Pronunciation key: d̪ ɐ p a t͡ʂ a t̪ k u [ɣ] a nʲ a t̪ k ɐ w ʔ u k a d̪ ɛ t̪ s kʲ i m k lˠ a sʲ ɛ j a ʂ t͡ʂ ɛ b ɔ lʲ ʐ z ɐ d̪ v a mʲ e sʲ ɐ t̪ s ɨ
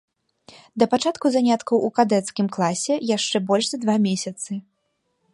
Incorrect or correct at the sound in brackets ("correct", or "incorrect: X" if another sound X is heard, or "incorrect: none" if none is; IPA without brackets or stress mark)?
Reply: incorrect: z